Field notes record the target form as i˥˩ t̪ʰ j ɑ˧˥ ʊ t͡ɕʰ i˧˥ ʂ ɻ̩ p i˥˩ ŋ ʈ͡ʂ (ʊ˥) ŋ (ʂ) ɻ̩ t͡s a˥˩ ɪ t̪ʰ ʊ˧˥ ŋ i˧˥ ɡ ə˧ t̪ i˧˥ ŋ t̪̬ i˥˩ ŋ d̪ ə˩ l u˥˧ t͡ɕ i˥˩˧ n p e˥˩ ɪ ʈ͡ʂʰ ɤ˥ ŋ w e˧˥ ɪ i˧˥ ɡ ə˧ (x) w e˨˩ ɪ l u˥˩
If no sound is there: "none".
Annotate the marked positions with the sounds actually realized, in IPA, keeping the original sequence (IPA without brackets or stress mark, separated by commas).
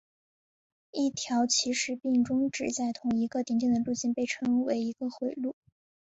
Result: ʊ˥, ʈ͡ʂ, x